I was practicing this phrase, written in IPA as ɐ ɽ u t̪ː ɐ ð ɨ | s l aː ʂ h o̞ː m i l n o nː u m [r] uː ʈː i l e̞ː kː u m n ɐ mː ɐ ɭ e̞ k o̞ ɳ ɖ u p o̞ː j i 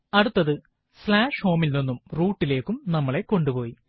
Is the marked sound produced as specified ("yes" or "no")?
yes